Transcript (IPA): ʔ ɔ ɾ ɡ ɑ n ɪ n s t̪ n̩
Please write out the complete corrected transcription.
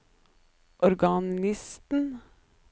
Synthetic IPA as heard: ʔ ɔ ɾ ɡ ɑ n ɪ s t̪ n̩